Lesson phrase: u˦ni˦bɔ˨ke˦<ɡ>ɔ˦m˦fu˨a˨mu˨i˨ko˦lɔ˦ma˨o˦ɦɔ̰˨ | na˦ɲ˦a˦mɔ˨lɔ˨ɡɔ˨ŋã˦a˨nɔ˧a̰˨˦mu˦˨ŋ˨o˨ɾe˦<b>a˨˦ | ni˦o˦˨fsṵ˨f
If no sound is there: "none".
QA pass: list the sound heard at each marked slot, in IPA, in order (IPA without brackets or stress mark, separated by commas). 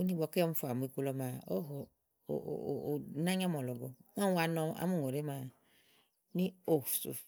none, m